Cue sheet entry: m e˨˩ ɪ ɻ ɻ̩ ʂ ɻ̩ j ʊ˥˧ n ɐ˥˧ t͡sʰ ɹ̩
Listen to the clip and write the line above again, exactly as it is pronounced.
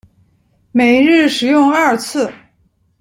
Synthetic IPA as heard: m e˨˩ ɪ ɻ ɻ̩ ʂ ɻ̩ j ʊ˥˧ ŋ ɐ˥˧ t͡sʰ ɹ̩